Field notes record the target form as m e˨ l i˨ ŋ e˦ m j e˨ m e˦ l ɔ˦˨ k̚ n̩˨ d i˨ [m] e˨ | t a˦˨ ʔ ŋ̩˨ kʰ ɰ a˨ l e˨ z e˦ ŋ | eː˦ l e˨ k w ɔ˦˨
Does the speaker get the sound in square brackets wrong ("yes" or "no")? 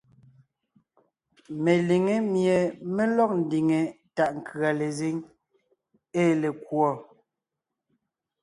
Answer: yes